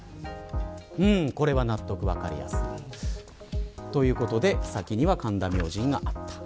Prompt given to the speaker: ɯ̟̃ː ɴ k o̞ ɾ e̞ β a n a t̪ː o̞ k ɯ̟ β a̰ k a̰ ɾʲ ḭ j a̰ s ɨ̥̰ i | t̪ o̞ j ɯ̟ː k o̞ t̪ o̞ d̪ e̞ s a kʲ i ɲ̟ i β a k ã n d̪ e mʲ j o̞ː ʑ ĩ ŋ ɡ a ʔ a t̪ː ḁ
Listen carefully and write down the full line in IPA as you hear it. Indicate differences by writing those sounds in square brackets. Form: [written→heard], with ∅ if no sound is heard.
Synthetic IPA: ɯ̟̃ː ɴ k o̞ ɾ e̞ β a n a t̪ː o̞ k ɯ̟ β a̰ k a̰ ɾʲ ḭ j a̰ s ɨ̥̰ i | t̪ o̞ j ɯ̟ː k o̞ t̪ o̞ d̪ e̞ s a kʲ i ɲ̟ i β a k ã n d̪ [e→a] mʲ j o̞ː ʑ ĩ ŋ ɡ a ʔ a t̪ː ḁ